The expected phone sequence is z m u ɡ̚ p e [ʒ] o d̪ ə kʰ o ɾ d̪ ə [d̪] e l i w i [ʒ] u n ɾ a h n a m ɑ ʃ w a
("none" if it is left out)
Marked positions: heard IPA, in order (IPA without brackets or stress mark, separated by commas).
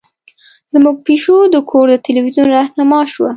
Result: ʃ, t̪, z